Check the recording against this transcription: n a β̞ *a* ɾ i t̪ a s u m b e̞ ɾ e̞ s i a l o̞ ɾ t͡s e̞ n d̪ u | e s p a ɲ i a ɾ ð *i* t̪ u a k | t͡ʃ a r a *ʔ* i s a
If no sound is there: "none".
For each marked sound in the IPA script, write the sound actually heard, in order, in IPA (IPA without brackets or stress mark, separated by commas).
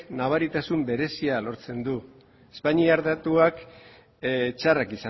a, a, k